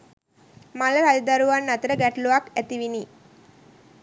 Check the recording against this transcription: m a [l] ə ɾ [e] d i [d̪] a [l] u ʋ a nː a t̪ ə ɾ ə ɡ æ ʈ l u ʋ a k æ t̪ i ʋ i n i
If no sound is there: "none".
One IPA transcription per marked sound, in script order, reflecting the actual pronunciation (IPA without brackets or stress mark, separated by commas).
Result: l, a, d̪, ɾ